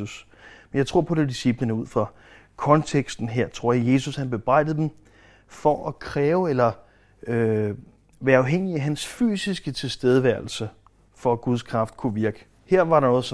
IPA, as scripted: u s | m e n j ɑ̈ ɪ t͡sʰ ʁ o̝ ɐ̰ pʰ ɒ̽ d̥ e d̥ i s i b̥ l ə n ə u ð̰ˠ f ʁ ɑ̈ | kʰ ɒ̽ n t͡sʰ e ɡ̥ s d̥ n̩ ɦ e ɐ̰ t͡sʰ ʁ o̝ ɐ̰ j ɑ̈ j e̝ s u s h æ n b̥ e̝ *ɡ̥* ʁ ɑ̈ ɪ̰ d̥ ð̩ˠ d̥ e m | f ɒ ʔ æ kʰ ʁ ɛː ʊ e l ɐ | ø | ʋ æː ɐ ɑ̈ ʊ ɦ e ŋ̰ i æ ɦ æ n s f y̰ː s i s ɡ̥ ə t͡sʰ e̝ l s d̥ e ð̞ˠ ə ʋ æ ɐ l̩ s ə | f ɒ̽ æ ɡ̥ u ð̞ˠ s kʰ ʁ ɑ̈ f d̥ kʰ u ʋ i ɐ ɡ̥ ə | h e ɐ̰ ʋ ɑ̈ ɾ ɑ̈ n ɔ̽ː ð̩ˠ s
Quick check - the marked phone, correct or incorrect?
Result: incorrect